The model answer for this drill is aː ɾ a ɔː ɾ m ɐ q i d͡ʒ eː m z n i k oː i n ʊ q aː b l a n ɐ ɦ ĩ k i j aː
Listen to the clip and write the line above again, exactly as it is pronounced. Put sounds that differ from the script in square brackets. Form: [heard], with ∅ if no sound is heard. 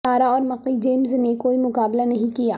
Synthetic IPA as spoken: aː ɾ a ɔː ɾ m ɐ q i d͡ʒ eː m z n [e] k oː i [m] ʊ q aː b l a n ɐ ɦ ĩ k i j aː